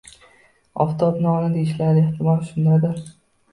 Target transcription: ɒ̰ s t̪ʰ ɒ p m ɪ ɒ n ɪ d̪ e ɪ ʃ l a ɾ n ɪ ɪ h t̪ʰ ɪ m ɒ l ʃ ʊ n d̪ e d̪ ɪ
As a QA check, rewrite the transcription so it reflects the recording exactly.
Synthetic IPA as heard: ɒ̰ f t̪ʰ ɒ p n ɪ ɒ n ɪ d̪ e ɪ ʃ l a ɾ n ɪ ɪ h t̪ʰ ɪ m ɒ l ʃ ʊ n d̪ a d̪ ɪ